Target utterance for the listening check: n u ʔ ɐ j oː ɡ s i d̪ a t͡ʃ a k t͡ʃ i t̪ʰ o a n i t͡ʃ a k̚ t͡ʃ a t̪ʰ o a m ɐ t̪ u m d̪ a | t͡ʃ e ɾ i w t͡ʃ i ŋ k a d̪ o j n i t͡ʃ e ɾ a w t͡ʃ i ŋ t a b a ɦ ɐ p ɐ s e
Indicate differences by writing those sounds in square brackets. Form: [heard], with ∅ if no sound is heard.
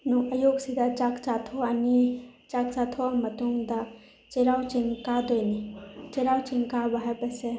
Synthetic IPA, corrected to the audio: n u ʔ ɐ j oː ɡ s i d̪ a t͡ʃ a k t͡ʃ [a] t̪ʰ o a n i t͡ʃ a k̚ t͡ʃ a t̪ʰ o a m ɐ t̪ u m d̪ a | t͡ʃ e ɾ [a] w t͡ʃ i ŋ k a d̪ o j n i t͡ʃ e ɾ a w t͡ʃ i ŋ [k] a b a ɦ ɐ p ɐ s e